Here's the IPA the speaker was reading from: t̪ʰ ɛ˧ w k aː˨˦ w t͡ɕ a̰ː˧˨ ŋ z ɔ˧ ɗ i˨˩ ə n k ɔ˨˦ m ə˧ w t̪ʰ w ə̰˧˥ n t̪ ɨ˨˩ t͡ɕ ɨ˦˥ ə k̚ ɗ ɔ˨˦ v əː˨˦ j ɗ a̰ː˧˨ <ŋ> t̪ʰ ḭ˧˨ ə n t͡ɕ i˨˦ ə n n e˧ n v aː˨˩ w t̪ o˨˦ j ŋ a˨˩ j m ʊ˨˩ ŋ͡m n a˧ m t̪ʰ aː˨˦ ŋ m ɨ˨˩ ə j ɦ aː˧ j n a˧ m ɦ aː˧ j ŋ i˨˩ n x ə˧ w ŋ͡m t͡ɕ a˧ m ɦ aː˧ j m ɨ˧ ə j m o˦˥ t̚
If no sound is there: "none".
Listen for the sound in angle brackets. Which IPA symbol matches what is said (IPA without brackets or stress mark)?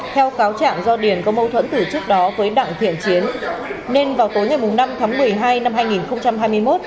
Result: ŋ